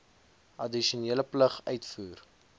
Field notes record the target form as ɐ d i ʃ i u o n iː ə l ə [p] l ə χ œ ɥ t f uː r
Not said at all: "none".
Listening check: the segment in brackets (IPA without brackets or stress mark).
p